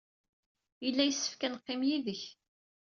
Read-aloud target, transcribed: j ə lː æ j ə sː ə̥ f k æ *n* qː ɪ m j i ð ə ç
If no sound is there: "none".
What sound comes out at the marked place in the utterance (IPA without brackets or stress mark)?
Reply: n